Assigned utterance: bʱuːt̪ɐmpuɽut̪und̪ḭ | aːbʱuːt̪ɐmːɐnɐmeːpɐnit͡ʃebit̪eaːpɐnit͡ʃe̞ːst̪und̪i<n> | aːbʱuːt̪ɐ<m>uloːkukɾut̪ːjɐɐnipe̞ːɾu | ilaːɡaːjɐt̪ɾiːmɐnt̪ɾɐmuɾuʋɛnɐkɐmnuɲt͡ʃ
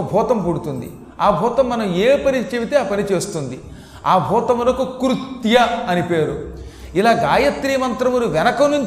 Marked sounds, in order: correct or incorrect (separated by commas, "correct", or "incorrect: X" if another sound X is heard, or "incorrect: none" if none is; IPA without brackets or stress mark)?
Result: incorrect: none, correct